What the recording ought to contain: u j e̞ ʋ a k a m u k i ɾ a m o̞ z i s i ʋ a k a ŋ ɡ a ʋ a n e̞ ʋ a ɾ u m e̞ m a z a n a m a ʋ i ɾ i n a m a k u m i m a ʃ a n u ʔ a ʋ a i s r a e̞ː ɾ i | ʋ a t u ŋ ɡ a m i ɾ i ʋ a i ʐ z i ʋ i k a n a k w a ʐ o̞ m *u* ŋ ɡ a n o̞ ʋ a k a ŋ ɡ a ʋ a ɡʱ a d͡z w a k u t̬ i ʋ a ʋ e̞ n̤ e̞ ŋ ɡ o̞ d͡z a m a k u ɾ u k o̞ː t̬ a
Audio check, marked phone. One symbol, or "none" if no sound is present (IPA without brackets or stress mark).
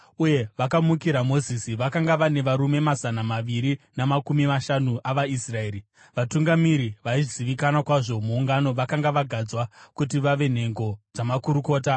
uː